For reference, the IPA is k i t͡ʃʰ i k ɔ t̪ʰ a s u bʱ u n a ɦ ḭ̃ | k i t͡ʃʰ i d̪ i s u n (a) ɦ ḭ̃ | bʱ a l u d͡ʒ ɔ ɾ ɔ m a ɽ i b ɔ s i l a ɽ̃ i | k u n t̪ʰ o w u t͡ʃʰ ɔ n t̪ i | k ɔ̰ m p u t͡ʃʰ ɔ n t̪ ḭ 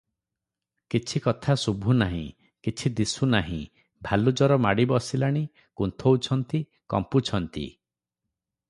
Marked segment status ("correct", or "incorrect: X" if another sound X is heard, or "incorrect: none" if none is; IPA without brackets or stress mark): correct